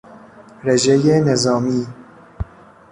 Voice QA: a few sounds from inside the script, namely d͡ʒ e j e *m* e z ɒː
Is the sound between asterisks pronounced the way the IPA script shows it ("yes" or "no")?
no